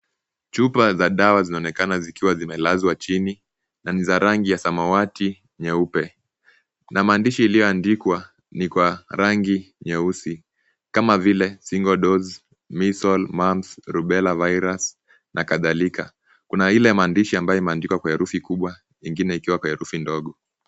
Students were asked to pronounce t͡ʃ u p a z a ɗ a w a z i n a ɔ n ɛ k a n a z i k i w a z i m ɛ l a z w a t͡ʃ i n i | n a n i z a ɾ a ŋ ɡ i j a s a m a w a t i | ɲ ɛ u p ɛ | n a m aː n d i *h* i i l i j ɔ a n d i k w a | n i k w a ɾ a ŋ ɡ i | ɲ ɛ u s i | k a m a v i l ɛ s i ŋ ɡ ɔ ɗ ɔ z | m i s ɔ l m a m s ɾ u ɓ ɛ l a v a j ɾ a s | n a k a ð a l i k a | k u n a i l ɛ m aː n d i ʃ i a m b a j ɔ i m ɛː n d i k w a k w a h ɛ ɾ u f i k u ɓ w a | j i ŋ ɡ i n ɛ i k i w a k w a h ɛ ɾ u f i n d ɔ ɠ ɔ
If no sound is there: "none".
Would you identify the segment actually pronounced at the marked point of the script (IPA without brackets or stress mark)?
ʃ